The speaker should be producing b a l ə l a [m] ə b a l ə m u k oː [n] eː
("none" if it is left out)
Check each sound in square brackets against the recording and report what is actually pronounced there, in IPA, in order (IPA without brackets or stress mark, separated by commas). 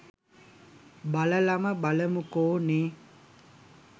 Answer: m, n